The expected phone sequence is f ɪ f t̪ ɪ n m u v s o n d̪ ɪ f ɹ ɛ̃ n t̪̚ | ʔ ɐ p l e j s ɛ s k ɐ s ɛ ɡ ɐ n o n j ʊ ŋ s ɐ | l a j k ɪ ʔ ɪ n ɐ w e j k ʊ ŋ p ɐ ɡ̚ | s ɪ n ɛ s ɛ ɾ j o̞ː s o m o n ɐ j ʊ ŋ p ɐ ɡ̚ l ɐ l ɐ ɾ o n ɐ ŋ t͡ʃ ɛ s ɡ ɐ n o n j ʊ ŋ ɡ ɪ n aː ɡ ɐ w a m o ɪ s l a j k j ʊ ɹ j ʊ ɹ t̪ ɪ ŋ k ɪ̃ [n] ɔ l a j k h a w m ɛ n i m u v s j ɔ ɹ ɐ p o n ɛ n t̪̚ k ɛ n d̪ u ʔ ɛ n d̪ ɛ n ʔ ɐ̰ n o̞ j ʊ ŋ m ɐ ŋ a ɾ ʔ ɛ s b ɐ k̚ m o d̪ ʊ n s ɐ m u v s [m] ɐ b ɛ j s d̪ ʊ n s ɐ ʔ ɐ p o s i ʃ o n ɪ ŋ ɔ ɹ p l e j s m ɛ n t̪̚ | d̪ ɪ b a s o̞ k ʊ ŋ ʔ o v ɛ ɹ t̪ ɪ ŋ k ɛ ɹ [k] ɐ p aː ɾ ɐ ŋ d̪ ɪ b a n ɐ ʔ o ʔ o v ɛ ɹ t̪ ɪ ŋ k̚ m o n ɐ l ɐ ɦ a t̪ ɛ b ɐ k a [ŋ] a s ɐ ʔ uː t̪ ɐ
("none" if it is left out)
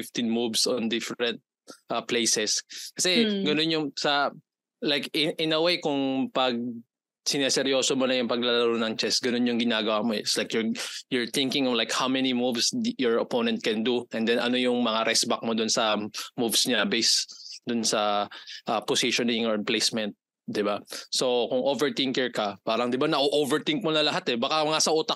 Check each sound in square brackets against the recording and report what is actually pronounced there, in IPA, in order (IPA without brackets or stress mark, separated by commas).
ŋ, ɲ, k, ŋ